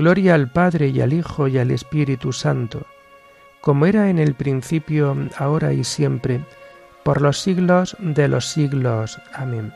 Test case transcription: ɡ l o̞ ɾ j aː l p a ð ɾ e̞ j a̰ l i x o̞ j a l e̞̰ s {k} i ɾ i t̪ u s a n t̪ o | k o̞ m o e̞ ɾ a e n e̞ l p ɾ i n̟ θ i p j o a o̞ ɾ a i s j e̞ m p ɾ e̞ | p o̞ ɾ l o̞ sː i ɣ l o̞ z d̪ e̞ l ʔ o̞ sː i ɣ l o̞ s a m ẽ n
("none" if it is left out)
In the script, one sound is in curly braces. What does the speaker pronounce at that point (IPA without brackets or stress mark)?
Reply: p